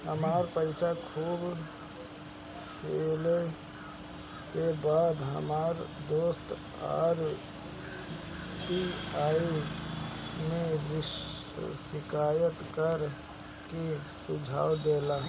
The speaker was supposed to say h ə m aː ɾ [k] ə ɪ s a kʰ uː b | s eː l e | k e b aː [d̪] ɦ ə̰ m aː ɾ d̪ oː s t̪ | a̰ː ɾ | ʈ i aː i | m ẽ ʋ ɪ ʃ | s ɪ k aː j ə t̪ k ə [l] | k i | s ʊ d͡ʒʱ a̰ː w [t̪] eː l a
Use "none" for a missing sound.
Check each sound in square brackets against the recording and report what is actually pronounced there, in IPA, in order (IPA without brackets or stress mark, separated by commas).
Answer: p, d̪, ɾ, d̪